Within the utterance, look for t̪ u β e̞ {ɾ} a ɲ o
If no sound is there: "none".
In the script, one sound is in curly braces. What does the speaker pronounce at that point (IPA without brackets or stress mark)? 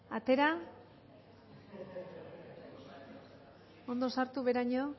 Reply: ɾ